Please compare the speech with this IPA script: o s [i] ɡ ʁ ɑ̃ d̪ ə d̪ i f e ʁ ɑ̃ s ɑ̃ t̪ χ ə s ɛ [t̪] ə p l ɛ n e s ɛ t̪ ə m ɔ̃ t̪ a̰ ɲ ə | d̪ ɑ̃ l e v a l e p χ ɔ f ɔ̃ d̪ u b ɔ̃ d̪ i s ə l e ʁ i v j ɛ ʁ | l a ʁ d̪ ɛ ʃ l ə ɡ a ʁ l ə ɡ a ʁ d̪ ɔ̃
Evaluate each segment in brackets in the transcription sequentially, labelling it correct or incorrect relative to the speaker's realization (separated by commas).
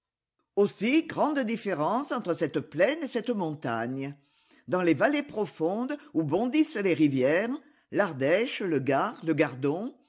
correct, correct